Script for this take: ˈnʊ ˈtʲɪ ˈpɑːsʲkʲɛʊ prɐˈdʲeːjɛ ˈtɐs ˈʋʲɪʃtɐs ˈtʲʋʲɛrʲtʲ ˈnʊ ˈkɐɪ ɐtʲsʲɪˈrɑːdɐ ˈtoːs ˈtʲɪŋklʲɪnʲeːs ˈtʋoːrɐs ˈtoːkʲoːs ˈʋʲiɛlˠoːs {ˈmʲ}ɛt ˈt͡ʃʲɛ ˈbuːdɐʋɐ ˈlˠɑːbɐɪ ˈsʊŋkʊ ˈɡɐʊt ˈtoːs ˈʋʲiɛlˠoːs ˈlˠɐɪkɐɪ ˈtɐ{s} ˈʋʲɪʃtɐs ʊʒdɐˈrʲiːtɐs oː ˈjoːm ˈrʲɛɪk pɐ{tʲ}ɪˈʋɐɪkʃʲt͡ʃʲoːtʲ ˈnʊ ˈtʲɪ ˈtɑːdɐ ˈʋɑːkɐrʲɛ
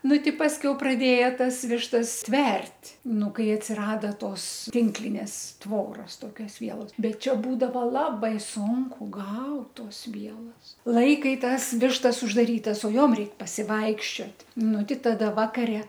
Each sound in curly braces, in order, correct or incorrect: incorrect, correct, incorrect

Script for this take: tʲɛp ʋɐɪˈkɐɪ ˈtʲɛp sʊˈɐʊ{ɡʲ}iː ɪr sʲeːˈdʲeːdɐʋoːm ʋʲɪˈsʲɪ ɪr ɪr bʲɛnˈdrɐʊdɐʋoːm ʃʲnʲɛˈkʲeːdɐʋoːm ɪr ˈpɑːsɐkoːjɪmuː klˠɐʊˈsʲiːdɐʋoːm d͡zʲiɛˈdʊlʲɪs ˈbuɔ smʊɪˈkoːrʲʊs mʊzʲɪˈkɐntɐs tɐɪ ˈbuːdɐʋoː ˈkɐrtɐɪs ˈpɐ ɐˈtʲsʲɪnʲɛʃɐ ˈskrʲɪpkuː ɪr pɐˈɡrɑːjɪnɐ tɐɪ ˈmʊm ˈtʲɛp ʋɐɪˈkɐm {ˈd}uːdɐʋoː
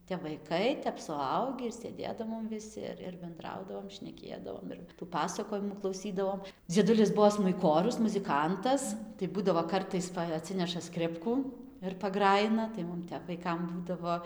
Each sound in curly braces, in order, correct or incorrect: correct, incorrect

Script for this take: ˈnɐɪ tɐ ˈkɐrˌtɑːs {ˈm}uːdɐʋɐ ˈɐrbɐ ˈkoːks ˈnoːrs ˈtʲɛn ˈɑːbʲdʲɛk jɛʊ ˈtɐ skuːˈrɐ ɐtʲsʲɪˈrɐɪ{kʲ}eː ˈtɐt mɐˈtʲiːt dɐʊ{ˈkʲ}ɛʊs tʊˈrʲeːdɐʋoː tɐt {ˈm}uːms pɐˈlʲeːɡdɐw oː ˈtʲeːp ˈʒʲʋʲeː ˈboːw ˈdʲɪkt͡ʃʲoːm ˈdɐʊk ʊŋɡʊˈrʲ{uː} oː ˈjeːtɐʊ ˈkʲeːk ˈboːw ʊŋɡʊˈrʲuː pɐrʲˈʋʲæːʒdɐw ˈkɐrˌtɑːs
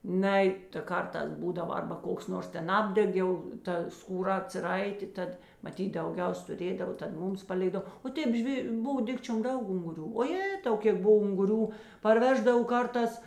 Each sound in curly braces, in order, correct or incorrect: incorrect, incorrect, incorrect, correct, correct

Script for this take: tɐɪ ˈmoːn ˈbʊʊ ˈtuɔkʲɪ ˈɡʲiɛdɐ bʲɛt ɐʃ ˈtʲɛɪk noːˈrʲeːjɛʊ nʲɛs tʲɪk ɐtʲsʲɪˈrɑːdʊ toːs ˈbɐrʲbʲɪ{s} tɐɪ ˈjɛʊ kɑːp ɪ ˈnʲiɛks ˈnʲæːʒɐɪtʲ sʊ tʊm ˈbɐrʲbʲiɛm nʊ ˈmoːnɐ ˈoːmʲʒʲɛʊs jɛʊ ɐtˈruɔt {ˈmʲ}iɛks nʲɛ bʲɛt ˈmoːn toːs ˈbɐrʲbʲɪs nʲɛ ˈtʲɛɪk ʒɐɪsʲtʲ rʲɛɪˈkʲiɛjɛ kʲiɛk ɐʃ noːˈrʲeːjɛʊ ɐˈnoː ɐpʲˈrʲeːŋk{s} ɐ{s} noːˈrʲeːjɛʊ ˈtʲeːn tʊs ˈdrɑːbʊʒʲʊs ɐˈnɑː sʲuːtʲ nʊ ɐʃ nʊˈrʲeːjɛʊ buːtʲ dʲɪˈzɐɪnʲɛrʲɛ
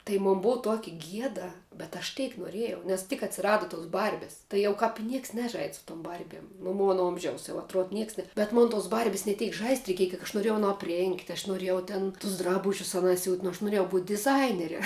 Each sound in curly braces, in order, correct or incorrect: correct, incorrect, incorrect, incorrect

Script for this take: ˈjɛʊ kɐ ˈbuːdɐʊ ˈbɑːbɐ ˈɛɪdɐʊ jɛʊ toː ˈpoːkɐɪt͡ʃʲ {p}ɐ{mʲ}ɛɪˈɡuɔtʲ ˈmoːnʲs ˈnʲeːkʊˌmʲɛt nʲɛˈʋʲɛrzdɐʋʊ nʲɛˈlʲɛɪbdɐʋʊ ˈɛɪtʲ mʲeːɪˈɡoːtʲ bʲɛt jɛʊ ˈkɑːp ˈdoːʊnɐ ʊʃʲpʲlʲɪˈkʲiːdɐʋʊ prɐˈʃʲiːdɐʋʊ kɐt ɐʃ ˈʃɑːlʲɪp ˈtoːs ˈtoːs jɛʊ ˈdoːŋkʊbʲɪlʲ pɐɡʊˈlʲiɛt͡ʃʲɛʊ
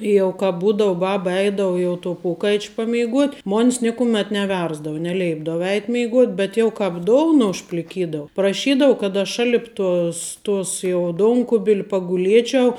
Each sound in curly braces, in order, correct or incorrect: correct, correct

